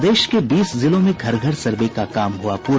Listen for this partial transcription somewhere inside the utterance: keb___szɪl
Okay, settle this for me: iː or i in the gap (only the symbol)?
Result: iː